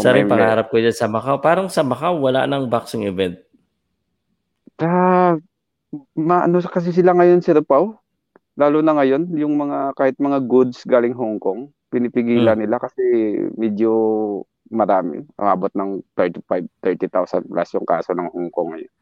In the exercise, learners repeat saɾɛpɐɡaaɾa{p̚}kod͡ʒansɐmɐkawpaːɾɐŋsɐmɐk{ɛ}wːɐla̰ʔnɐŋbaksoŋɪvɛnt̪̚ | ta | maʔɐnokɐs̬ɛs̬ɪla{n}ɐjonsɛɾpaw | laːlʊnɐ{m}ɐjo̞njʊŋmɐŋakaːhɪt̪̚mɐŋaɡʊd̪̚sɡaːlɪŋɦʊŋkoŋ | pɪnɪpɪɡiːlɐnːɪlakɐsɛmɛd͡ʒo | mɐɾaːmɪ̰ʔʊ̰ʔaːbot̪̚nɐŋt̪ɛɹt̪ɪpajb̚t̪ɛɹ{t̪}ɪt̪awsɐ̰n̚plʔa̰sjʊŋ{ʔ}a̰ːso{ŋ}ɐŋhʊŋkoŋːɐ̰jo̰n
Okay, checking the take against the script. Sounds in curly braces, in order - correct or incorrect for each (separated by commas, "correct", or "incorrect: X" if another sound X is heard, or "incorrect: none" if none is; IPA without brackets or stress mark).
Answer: correct, incorrect: a, incorrect: ŋ, incorrect: ŋ, correct, incorrect: k, incorrect: n